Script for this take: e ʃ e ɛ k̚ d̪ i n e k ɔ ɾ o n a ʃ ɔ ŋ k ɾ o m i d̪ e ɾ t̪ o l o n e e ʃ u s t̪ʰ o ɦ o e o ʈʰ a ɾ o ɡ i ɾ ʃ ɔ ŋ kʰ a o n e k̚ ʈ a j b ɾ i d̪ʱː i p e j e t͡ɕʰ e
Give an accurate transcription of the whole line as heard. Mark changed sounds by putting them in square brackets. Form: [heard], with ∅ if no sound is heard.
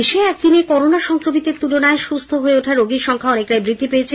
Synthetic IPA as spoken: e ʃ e ɛ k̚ d̪ i n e k ɔ ɾ o n a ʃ ɔ ŋ k ɾ o m i [t̪] e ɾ t̪ [u] l o n [a] e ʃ u s t̪ʰ o ɦ o e o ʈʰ a ɾ o ɡ i ɾ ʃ ɔ ŋ kʰ a [ɔ] n e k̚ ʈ a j b ɾ i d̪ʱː i p e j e t͡ɕʰ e